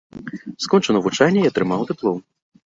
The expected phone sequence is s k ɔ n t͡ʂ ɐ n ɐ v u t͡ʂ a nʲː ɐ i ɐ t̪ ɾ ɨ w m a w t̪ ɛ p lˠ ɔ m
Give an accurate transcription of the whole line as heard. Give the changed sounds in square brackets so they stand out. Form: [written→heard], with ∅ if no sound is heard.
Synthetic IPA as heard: s k ɔ n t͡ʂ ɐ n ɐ v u t͡ʂ a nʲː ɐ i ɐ t̪ ɾ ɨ [w→∅] m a w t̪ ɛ p lˠ ɔ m